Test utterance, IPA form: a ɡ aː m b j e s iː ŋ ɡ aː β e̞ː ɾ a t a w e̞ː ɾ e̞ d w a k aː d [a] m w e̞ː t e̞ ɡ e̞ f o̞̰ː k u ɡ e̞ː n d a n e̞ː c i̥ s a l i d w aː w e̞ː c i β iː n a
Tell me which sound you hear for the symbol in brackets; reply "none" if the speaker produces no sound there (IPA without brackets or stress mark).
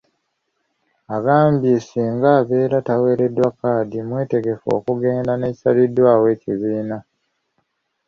i